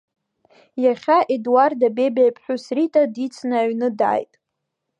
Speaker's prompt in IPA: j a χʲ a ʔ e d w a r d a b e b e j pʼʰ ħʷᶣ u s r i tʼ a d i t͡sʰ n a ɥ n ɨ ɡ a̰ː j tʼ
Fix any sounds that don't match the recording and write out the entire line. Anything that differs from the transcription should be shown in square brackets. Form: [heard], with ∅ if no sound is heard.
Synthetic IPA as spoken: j a χʲ a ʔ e d w a r d a b e b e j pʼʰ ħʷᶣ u s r i tʼ a d i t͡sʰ n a ɥ n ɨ [d] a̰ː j tʼ